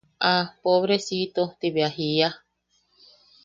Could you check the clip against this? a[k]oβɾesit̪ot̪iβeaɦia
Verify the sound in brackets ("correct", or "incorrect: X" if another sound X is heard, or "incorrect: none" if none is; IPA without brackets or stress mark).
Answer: incorrect: p